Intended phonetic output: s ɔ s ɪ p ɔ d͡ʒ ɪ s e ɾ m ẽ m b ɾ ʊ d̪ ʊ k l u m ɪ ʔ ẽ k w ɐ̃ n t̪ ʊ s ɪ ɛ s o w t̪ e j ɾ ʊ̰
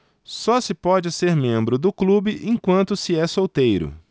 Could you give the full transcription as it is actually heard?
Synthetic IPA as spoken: s ɔ s ɪ p ɔ d͡ʒ ɪ s e ɾ m ẽ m b ɾ ʊ d̪ ʊ k l u b ɪ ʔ ẽ k w ɐ̃ n t̪ ʊ s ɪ ɛ s o w t̪ e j ɾ ʊ̰